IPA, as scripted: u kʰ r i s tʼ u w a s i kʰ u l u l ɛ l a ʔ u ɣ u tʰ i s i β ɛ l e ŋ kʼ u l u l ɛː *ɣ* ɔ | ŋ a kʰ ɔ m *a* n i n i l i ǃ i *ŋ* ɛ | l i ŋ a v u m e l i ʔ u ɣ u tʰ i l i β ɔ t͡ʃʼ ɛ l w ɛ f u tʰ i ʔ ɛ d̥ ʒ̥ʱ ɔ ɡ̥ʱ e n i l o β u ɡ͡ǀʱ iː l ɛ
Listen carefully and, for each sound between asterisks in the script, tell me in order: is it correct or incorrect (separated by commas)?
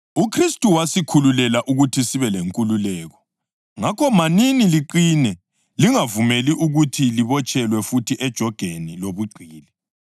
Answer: correct, correct, incorrect